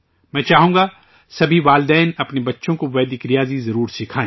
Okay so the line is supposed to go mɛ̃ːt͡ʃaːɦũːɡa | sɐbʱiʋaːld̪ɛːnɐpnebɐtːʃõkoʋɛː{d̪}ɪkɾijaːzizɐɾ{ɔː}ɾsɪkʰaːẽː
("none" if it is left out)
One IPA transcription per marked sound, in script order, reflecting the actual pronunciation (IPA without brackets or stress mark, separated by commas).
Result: d̪, uː